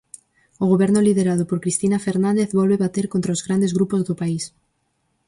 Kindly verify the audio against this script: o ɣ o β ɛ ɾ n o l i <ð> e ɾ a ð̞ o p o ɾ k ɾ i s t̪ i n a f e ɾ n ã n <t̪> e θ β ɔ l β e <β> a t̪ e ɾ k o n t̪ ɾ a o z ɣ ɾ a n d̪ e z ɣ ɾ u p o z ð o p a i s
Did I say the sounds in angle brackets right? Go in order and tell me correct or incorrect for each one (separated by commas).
correct, incorrect, correct